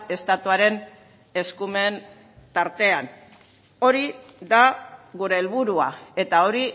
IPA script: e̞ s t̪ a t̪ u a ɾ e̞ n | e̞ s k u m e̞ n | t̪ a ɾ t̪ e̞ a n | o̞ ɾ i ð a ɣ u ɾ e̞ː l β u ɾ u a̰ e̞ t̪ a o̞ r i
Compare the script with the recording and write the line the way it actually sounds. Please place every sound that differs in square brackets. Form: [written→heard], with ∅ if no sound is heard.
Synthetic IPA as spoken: e̞ s t̪ a t̪ u a ɾ e̞ n | e̞ s k u m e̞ n | t̪ a ɾ t̪ e̞ a n | o̞ ɾ i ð a ɣ u ɾ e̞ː l β u ɾ u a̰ e̞ t̪ a o̞ [r→ɾ] i